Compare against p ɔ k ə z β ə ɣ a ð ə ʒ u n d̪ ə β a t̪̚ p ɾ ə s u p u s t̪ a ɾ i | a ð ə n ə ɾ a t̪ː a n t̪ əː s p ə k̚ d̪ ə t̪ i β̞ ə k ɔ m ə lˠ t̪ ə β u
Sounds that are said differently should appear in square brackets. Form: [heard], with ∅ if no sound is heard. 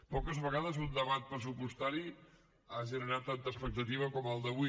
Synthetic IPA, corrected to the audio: p ɔ k ə z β ə ɣ a ð ə [z] u n d̪ ə β a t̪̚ p ɾ ə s u p u s t̪ a ɾ i | a [ʒ] ə n ə ɾ a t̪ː a n t̪ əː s p ə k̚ [t̪] ə t̪ i β̞ ə k ɔ m ə lˠ [d̪] ə β u